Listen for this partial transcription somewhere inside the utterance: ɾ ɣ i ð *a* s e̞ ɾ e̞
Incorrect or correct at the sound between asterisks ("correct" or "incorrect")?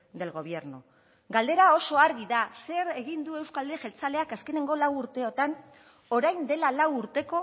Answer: correct